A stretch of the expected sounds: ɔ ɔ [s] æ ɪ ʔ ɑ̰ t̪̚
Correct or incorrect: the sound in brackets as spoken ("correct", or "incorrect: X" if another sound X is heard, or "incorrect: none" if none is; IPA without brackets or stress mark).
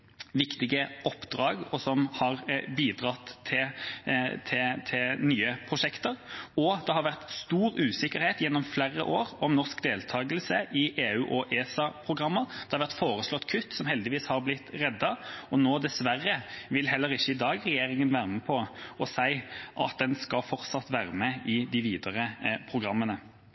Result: correct